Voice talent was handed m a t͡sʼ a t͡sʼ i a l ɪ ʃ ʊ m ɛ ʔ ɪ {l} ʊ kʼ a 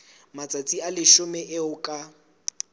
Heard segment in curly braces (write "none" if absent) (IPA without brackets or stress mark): none